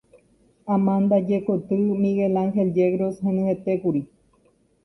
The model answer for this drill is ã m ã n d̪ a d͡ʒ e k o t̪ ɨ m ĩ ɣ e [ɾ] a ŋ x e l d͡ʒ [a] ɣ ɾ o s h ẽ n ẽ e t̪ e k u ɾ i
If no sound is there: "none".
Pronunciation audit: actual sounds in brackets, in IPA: l, e

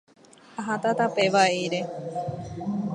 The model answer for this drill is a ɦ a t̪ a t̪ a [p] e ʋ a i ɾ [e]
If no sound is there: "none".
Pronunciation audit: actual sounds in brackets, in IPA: p, e

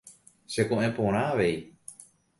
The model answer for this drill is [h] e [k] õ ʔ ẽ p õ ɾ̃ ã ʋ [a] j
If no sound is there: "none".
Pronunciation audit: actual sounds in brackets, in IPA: s, k, e

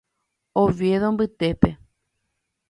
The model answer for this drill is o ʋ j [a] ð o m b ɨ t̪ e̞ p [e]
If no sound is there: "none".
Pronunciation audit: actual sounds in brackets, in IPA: e, e

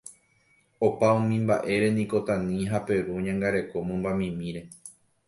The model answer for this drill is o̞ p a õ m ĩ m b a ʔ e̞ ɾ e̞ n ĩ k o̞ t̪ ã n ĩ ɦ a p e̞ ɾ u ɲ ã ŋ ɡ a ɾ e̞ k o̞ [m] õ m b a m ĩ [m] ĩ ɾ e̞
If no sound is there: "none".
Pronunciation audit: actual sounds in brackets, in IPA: m, m

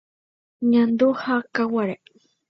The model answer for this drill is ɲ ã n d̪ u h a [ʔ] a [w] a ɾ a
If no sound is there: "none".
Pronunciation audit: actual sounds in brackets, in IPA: k, w

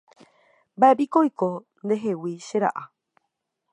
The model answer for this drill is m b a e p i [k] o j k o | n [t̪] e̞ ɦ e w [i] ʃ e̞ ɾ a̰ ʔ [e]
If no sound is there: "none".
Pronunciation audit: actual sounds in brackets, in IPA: k, d̪, i, a

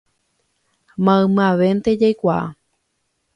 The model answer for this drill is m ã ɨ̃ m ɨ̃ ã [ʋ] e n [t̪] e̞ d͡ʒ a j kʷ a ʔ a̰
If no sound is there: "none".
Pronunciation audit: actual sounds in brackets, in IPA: ʋ, t̪

